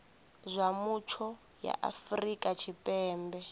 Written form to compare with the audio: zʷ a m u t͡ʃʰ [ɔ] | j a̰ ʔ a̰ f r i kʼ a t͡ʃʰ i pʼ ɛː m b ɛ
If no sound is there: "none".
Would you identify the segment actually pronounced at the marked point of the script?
ɔ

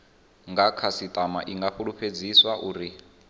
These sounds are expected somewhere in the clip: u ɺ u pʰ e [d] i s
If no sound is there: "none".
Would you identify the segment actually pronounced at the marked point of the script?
d͡z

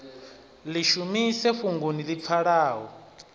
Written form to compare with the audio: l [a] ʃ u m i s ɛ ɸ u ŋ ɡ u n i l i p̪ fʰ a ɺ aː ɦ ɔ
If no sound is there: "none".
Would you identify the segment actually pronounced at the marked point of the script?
i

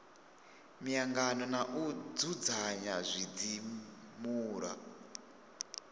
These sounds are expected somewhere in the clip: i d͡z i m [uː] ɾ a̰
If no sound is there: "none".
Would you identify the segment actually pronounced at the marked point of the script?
uː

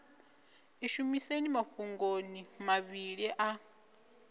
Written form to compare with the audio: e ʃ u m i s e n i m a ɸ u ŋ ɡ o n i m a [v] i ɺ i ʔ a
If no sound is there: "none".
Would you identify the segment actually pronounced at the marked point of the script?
β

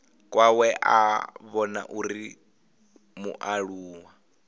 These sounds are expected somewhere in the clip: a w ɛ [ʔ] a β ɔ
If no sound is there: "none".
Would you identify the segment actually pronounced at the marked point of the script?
ʔ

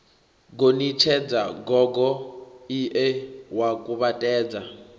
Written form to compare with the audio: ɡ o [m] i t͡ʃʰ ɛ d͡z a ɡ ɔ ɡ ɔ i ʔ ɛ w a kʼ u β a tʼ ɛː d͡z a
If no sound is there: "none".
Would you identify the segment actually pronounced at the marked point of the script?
n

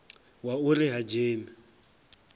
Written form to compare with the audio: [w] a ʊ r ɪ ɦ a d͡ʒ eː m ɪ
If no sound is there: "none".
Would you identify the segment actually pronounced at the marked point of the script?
w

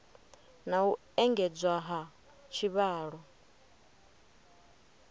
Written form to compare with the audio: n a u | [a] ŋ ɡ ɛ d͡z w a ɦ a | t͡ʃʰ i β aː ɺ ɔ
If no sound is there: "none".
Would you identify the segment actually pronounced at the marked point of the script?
ɛ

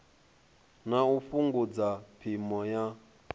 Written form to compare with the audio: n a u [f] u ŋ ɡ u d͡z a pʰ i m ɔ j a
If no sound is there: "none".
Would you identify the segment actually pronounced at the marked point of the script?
f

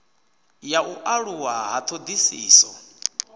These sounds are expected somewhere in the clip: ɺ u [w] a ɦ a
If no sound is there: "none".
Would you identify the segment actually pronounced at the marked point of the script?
w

